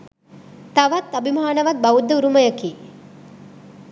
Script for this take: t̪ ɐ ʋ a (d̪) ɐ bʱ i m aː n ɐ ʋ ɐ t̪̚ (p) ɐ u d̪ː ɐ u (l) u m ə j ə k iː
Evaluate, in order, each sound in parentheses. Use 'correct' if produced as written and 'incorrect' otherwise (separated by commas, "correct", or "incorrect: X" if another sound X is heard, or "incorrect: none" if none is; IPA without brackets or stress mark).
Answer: incorrect: t̪, incorrect: b, incorrect: ɾ